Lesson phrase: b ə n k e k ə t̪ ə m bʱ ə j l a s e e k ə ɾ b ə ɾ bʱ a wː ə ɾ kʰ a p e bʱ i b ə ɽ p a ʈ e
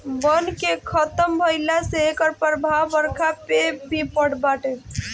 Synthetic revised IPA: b ə n k e kʰ ə t̪ ə m bʱ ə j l a s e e k ə ɾ p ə ɾ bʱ a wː ə ɾ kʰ a p e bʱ i p ə ɽ b a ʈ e